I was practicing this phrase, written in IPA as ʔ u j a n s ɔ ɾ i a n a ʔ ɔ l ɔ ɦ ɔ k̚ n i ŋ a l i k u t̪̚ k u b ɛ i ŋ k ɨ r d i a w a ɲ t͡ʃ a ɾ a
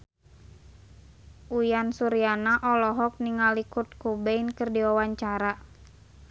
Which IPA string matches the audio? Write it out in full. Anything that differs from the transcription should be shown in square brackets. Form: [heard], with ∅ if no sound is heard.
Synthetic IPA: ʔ u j a n s [u] ɾ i a n a ʔ ɔ l ɔ ɦ ɔ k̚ n i ŋ a l i k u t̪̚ k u b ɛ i [n] k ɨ r d i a w a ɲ t͡ʃ a ɾ a